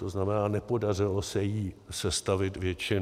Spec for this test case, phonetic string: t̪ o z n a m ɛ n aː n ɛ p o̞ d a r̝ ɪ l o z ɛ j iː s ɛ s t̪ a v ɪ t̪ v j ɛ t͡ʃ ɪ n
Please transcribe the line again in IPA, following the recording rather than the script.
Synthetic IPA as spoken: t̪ o z n a m ɛ n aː n ɛ p o̞ d a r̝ ɪ l o s ɛ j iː s ɛ s t̪ a v ɪ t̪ v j ɛ t͡ʃ ɪ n